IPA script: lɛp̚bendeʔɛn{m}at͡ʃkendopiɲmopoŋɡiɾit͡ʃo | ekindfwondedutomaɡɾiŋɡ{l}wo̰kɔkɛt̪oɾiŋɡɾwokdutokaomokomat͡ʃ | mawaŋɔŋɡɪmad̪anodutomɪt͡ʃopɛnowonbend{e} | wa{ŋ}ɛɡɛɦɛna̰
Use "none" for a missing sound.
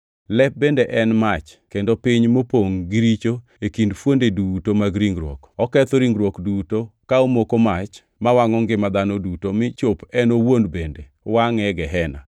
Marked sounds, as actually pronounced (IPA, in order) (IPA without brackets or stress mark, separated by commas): m, ɾ, e, ŋ